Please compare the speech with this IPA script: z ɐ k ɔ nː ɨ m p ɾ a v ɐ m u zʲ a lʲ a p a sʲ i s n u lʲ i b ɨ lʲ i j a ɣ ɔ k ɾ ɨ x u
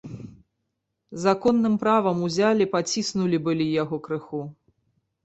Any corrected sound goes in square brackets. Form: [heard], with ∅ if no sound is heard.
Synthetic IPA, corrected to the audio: z [a] k ɔ nː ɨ m p ɾ a v ɐ m u zʲ a lʲ [i] p a [t͡sʲ] i s n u lʲ i b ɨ lʲ i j a ɣ ɔ k ɾ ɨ x u

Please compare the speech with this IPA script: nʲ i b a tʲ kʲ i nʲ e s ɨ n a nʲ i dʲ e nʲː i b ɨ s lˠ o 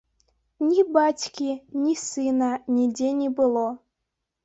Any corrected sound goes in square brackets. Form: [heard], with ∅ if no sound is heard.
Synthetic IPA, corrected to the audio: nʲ i b a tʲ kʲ i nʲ [i] s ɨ n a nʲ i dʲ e [nʲ] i b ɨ [∅] lˠ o

